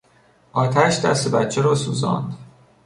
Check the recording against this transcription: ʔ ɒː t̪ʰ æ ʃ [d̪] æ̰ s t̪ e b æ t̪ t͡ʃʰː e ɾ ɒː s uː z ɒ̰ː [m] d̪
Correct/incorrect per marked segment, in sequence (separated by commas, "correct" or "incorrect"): correct, incorrect